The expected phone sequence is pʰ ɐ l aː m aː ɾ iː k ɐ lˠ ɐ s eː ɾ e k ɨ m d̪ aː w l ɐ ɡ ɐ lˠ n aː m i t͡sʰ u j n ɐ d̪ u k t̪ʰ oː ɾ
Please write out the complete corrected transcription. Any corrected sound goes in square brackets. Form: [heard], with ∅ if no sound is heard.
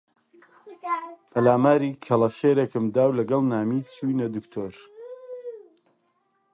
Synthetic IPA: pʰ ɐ l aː m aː ɾ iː [kʰ] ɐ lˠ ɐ [ʃ] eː ɾ e k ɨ m d̪ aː w l ɐ ɡ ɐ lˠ n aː m i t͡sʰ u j n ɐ d̪ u k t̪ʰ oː ɾ